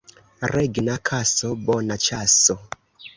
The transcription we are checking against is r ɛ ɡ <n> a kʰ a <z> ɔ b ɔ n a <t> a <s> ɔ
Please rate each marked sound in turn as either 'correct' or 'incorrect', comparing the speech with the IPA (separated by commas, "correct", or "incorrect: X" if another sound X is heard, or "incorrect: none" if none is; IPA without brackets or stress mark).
correct, incorrect: s, incorrect: t͡ʃ, correct